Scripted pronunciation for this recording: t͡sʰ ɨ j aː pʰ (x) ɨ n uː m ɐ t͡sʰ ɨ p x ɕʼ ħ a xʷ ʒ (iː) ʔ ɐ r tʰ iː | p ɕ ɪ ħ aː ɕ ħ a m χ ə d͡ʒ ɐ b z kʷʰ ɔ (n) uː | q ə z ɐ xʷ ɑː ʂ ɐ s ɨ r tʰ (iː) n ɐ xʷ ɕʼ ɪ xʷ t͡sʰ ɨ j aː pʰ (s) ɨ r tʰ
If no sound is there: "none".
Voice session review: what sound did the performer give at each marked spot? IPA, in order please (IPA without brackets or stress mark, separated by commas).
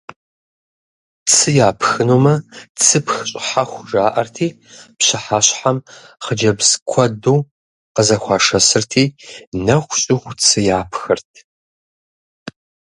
x, aː, d, iː, x